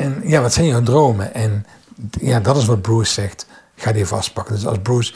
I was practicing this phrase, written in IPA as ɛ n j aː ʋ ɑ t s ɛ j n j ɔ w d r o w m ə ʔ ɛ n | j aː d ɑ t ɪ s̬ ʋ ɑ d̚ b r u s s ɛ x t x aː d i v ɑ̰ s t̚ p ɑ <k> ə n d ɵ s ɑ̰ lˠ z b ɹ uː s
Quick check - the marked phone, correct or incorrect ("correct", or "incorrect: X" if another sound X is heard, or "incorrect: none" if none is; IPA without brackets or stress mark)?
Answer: correct